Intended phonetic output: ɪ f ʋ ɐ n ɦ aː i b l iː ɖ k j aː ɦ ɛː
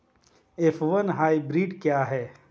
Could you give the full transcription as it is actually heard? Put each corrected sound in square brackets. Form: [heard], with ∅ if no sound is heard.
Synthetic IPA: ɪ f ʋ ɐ n ɦ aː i b [ɾ] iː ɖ k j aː ɦ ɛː